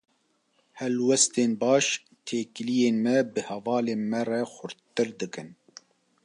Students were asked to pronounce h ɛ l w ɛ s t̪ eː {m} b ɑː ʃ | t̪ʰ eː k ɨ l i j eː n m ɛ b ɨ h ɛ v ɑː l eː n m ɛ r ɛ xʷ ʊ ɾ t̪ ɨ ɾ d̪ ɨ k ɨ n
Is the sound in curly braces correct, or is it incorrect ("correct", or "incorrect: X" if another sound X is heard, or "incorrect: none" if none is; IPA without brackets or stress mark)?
incorrect: n